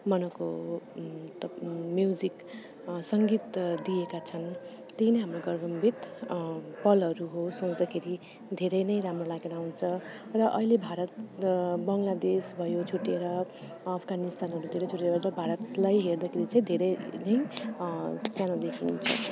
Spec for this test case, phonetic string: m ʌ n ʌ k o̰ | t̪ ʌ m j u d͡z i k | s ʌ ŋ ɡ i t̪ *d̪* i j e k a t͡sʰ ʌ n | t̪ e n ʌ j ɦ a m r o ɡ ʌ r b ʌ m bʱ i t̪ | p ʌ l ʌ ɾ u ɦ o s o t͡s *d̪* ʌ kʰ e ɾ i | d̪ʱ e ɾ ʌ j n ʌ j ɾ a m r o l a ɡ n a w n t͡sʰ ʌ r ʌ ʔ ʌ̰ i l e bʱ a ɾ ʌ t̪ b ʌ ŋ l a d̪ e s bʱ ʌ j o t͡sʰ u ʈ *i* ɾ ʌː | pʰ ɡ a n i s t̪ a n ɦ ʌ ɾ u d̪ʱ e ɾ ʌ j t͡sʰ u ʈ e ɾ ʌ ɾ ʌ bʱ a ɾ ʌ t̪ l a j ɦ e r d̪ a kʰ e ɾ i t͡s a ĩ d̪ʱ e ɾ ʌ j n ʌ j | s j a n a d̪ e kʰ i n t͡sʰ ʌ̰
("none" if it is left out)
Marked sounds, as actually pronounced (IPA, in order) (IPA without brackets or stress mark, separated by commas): d̪, d̪, e